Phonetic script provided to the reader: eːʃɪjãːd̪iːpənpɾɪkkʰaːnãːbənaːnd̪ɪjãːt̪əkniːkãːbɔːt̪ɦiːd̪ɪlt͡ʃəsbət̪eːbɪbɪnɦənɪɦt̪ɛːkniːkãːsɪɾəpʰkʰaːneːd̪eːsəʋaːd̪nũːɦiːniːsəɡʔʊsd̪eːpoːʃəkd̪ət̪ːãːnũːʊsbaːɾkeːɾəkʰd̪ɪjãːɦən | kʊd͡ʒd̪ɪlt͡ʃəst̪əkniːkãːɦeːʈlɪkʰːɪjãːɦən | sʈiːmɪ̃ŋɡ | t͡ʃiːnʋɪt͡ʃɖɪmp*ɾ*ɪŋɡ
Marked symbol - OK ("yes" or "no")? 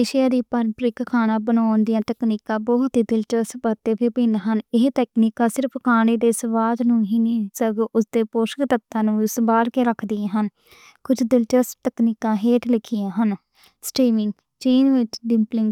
no